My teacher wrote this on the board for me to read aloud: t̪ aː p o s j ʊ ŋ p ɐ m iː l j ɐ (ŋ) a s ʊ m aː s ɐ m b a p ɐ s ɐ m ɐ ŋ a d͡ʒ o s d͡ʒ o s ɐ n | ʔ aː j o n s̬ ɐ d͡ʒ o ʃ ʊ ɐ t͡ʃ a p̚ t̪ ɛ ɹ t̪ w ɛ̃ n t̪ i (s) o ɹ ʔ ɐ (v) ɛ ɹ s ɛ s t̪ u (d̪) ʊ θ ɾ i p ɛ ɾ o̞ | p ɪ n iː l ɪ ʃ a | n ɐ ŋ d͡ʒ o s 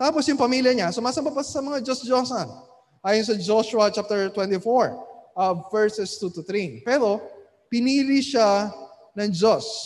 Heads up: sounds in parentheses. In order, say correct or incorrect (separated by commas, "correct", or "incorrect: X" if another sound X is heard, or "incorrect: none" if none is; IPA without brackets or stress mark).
incorrect: ɲ, incorrect: f, correct, incorrect: t̪